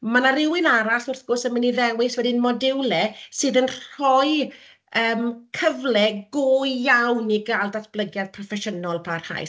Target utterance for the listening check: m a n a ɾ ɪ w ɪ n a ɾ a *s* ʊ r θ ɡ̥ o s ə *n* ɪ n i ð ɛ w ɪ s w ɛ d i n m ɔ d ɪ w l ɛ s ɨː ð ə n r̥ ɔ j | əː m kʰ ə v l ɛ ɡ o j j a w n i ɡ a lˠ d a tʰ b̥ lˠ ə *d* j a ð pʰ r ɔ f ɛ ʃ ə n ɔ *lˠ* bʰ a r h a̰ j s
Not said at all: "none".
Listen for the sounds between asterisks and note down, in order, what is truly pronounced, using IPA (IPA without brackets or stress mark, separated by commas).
s, m, ɡ, lˠ